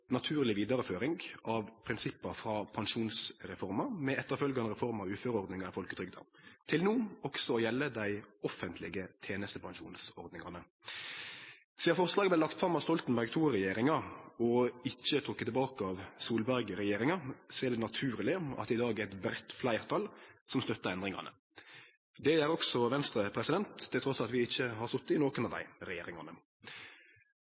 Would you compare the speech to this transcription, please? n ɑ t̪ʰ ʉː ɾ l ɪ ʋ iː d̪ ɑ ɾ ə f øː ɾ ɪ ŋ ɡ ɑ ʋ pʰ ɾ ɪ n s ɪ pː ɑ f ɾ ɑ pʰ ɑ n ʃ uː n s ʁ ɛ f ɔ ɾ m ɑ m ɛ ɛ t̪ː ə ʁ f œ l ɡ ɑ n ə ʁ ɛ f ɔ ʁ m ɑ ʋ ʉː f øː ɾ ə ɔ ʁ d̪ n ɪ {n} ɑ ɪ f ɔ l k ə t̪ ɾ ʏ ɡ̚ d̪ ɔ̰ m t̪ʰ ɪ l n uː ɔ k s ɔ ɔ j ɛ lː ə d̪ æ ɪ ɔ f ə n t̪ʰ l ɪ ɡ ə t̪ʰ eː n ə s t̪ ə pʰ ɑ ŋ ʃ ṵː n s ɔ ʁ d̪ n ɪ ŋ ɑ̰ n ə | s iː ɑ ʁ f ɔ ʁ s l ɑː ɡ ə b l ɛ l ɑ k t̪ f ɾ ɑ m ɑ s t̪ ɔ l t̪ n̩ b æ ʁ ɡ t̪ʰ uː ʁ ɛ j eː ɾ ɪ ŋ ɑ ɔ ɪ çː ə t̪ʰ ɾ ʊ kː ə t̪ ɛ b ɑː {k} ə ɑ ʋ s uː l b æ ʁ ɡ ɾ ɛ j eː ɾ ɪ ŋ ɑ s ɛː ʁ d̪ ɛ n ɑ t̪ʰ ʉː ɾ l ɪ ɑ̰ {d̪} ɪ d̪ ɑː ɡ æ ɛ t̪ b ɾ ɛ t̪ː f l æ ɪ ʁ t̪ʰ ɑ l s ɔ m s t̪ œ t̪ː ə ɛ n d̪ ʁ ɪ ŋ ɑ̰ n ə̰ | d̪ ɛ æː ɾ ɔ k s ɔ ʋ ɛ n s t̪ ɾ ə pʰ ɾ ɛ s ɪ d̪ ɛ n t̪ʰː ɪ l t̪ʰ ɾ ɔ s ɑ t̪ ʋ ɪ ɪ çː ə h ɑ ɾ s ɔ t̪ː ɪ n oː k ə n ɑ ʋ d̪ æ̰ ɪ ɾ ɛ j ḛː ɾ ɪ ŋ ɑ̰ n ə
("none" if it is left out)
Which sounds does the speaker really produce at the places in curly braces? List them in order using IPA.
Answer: ŋ, k, t̪

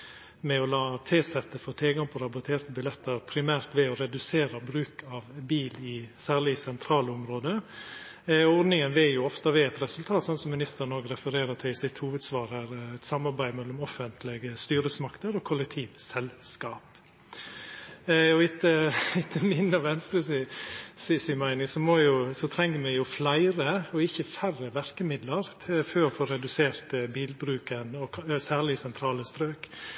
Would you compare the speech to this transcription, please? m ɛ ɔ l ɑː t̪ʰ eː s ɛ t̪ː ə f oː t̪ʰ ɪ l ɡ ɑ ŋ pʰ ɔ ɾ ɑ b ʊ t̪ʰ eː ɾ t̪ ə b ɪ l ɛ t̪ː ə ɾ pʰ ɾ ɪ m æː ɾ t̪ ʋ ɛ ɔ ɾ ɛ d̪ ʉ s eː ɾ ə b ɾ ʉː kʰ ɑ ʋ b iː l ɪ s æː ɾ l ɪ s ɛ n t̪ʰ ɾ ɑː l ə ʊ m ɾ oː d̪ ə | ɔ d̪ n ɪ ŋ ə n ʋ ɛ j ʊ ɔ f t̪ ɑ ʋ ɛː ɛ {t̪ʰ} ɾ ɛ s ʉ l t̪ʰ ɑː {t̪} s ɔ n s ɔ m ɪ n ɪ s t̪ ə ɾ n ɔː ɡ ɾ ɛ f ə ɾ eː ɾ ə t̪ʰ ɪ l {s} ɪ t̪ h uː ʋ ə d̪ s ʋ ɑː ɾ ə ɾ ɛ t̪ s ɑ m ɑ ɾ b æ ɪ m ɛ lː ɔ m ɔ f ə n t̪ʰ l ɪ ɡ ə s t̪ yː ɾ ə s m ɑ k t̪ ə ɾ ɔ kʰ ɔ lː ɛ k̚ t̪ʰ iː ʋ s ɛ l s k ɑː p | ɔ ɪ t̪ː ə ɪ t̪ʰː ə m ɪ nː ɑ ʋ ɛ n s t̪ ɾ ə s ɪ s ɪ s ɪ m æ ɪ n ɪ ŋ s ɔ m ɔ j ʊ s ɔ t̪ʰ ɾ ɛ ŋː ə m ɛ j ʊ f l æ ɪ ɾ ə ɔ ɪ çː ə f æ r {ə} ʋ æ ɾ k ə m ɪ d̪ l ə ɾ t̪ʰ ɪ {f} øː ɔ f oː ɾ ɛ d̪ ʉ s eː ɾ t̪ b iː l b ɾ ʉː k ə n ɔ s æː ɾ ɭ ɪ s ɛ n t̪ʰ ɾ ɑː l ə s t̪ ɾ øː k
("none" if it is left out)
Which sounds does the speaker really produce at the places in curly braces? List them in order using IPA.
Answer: t̪, t̪, s, ə, f

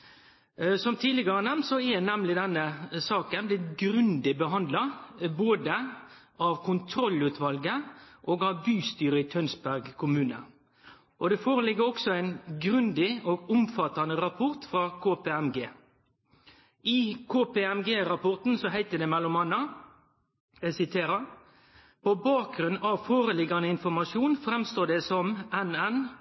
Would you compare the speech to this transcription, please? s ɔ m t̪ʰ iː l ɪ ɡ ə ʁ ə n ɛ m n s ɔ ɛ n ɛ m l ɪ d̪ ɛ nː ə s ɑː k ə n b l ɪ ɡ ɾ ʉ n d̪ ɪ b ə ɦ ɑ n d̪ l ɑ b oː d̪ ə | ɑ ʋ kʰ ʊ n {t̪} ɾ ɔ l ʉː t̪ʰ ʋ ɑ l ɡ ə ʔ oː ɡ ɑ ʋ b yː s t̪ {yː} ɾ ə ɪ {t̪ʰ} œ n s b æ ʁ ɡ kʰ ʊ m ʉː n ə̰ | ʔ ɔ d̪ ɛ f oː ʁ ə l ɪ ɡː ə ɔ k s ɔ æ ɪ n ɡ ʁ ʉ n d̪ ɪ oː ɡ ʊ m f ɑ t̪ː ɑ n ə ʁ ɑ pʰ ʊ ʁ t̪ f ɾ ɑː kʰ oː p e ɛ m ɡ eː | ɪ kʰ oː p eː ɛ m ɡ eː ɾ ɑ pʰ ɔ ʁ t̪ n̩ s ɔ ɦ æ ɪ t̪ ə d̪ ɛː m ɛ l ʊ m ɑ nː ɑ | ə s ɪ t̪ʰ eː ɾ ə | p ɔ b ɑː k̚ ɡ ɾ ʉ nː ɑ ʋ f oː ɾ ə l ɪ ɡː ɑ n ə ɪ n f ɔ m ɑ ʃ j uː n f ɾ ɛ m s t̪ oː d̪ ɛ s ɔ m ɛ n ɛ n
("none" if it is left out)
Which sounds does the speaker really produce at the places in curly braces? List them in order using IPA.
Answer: t̪ʰ, yː, t̪ʰ

